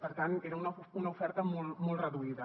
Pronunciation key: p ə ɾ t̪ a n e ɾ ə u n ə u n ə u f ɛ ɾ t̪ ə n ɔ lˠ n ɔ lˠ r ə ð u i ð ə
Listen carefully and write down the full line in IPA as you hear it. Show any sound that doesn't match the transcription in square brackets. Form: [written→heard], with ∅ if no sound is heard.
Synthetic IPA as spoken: p ə ɾ t̪ a n e ɾ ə u n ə u n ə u f ɛ ɾ t̪ ə [n→m] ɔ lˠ [n→m] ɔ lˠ r ə ð u i ð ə